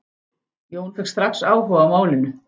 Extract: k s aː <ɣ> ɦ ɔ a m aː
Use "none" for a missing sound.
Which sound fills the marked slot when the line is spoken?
w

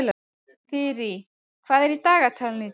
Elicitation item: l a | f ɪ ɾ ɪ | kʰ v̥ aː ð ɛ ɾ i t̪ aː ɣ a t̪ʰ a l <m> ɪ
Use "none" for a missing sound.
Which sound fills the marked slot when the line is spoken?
n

